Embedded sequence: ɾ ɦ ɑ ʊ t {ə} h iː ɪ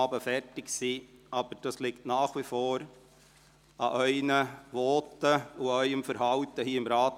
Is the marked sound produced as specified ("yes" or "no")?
yes